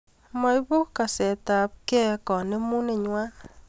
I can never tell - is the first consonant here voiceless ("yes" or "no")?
no